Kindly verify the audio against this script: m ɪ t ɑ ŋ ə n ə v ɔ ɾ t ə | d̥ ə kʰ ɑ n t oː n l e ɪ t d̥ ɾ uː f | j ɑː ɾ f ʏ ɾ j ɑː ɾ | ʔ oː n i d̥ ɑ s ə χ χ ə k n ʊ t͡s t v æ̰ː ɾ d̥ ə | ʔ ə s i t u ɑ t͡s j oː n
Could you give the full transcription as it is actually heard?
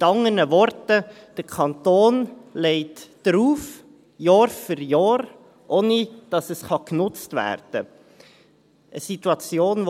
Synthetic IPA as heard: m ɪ t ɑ ŋ ə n ə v ɔ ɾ t ə | d̥ ə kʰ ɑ n t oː n l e ɪ t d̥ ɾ uː f | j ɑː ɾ f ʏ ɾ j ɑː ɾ | ʔ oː n i d̥ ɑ s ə s χ ɑ k n ʊ t͡s t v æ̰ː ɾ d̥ ə | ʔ ə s i t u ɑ t͡s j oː n